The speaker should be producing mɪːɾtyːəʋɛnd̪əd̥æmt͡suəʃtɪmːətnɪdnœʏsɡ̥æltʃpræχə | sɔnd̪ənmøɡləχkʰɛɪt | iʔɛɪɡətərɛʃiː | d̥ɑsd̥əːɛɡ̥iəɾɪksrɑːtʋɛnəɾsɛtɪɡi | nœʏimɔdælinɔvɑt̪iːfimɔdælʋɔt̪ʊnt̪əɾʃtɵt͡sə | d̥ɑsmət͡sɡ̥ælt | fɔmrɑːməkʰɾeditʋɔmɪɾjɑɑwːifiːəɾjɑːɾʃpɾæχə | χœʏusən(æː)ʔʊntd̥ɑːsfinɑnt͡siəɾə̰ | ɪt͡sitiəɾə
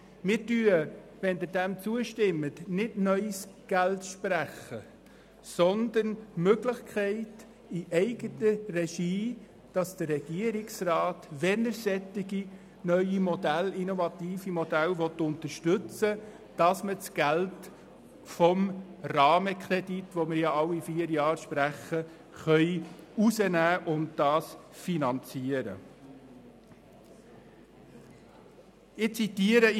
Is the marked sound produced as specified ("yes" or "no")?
yes